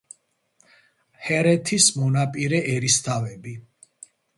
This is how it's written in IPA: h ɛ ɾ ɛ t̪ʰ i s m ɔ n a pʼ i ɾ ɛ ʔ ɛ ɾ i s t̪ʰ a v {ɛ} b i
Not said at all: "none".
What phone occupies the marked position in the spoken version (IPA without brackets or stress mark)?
ɛ